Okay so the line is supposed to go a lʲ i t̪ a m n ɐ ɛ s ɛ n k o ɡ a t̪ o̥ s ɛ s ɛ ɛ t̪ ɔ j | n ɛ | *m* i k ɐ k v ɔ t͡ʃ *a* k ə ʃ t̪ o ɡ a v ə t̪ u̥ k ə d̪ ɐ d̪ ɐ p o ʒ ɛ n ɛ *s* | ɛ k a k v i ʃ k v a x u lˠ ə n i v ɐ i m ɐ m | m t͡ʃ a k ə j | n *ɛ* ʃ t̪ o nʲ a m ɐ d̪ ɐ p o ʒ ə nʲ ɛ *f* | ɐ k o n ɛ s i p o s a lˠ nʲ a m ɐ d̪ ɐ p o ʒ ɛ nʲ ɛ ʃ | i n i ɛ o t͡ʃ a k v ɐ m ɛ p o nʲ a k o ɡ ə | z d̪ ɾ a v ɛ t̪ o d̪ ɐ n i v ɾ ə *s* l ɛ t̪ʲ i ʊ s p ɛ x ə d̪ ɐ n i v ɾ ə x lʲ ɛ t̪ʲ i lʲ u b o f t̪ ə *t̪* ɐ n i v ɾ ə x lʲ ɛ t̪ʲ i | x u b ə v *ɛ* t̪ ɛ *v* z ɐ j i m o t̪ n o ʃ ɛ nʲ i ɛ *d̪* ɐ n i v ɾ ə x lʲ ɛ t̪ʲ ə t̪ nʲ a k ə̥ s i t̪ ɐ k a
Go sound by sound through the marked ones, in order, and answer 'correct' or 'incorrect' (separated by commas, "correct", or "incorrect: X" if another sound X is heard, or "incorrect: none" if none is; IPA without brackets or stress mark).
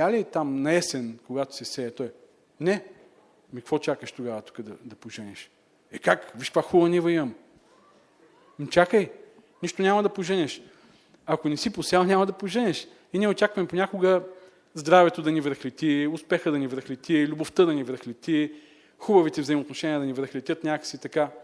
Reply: correct, correct, incorrect: ʃ, incorrect: i, incorrect: ʃ, incorrect: x, incorrect: d̪, incorrect: i, correct, correct